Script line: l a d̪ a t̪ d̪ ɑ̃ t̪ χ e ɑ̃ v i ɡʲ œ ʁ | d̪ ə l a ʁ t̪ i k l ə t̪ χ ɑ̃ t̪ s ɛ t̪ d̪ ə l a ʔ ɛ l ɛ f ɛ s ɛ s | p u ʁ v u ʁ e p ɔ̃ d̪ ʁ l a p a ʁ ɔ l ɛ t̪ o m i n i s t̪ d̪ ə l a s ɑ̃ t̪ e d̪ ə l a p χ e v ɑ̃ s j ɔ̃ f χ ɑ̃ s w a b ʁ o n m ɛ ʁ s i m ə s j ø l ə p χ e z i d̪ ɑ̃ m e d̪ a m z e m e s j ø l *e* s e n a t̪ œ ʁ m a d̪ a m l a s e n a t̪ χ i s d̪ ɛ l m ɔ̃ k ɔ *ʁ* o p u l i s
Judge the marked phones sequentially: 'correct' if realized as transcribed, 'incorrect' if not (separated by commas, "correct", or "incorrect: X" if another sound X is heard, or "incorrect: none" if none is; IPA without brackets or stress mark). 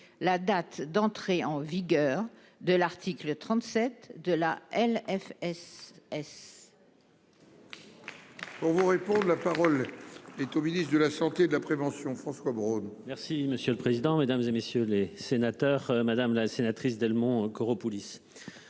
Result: correct, correct